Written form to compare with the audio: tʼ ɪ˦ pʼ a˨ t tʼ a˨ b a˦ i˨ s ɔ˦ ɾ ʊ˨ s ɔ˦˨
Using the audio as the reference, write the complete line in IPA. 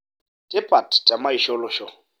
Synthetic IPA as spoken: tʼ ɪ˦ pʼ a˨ t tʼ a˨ m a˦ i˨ ʃ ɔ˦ l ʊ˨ ʃ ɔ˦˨